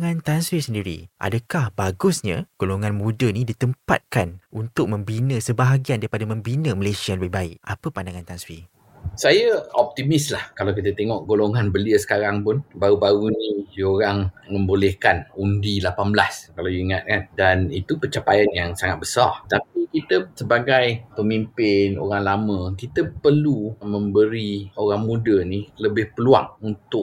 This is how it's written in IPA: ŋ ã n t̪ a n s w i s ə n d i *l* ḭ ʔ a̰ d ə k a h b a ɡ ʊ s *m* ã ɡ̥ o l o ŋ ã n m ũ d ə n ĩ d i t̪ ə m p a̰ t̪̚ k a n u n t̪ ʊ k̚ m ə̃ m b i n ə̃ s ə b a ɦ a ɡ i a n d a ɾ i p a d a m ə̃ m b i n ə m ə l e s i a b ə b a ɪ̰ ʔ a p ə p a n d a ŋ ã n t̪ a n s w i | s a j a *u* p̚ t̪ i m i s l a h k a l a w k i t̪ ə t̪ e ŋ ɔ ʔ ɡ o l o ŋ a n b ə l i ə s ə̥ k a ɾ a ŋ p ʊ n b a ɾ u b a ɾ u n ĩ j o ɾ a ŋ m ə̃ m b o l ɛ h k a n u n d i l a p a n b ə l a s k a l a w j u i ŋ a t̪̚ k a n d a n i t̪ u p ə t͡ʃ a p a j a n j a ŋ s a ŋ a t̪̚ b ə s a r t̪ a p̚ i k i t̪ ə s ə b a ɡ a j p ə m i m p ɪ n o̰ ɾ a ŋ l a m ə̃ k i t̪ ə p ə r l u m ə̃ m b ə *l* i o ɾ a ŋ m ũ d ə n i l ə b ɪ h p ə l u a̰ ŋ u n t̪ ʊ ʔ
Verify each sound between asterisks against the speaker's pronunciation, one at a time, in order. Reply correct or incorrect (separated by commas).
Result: incorrect, incorrect, incorrect, incorrect